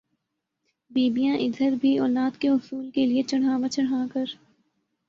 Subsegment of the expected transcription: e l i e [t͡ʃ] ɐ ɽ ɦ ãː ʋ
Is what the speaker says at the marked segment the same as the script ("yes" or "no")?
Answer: yes